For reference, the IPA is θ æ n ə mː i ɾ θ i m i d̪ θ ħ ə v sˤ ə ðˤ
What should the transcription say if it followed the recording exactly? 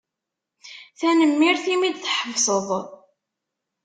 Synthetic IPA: θ æ n ə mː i ɾ θ i m i d̪ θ ħ ə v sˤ ə ðˤ